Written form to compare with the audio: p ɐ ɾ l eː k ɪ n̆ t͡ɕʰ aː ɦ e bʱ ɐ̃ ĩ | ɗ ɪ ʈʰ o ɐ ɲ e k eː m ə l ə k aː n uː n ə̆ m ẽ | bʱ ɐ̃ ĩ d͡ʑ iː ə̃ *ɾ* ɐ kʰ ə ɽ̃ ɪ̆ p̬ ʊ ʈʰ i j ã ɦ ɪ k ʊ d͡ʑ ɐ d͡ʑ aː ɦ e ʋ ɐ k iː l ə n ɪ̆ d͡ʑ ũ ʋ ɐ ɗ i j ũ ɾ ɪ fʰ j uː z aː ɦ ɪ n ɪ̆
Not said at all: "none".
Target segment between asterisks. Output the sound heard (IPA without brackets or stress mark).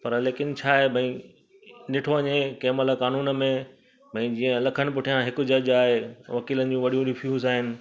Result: l